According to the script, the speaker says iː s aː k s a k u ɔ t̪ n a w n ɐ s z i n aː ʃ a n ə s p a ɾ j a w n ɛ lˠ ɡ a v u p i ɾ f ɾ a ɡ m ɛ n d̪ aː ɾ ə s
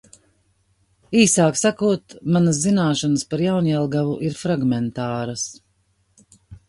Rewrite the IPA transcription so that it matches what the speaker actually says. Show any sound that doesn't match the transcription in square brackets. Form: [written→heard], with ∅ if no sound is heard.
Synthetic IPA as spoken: iː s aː k s a k u ɔ t̪ [n→m] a [w→∅] n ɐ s z i n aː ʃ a n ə s p a ɾ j a w n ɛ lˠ ɡ a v u [p→ʔ] i ɾ f ɾ a ɡ m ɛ n [d̪→t̪] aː ɾ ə s